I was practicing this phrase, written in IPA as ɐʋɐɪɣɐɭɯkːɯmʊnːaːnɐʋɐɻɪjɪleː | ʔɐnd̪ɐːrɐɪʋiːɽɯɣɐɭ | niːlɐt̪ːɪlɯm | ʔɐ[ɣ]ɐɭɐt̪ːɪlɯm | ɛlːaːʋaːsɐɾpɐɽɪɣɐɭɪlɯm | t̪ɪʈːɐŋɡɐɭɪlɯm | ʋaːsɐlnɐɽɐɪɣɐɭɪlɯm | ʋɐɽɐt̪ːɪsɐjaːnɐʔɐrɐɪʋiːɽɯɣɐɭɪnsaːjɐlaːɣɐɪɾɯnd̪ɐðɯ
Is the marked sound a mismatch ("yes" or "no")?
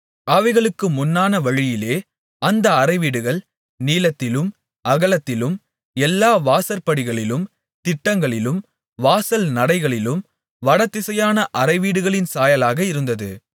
no